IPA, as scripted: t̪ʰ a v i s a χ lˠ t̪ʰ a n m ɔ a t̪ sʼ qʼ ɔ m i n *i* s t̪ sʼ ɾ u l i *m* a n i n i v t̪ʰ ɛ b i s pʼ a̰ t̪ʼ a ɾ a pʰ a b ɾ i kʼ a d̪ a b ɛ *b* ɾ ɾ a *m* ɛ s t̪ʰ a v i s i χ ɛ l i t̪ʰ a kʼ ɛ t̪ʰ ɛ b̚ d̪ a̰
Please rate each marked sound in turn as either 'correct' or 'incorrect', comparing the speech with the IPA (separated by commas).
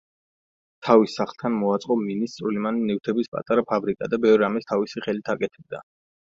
correct, correct, incorrect, correct